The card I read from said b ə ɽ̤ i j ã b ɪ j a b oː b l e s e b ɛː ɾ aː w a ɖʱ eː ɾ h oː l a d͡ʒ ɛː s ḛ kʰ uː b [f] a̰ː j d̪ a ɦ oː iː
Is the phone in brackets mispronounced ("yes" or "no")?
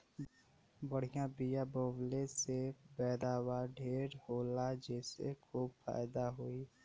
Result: no